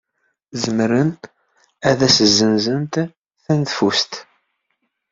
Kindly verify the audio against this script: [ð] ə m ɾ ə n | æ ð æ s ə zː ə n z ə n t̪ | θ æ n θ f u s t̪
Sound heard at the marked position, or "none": z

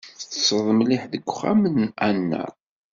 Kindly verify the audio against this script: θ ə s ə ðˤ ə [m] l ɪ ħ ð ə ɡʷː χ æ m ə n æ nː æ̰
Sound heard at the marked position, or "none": m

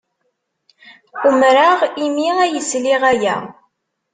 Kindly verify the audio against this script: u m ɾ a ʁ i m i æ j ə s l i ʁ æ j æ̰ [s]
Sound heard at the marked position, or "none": none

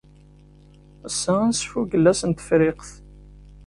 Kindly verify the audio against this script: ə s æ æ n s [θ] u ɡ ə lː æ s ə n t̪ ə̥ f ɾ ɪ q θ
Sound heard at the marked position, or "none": f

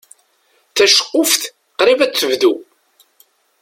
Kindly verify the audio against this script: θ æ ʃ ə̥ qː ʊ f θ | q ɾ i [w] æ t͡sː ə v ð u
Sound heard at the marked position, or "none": v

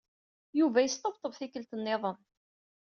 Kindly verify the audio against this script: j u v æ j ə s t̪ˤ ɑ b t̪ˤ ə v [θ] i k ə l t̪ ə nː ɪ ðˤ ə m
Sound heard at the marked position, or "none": θ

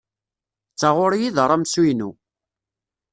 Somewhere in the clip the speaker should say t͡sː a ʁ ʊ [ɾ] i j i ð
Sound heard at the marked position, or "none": ɾ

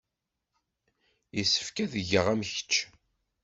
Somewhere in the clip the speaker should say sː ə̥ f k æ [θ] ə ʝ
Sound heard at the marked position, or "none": ð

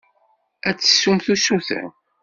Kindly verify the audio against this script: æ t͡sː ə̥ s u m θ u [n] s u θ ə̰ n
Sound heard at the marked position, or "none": none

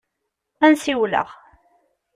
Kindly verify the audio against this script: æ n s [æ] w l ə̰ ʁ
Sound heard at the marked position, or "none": i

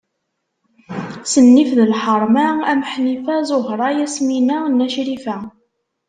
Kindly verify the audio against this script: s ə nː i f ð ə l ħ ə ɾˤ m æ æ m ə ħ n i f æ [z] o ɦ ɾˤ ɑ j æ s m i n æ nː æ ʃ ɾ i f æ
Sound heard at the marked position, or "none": z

